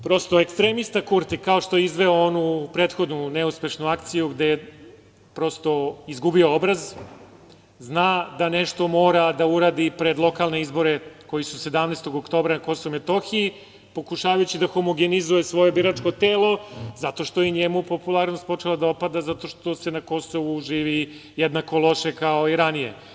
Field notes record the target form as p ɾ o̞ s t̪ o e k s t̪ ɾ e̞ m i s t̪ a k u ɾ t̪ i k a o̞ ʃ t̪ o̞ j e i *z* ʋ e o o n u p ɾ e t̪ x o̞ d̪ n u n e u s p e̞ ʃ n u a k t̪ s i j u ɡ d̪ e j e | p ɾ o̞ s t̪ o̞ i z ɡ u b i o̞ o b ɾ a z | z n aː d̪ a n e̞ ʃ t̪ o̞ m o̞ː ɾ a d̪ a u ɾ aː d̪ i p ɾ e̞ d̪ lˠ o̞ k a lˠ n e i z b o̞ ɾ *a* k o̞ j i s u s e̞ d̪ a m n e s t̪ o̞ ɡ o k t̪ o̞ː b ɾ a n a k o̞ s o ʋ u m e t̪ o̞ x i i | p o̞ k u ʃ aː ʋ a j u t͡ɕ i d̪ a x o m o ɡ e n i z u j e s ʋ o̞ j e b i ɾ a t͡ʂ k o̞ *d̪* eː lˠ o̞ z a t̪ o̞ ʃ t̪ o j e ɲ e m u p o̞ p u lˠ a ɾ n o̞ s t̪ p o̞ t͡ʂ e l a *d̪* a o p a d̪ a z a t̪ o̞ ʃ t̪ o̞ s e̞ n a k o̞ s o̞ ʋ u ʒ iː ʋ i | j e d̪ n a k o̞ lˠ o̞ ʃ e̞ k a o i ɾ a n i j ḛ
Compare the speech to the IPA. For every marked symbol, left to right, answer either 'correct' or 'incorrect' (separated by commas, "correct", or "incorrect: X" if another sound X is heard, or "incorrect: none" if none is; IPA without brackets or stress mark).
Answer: correct, incorrect: e, incorrect: t̪, correct